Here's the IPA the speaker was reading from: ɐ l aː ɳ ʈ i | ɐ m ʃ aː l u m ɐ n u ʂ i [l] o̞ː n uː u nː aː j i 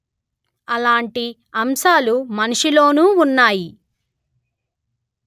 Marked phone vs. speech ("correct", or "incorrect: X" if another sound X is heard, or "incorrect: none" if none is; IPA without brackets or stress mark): correct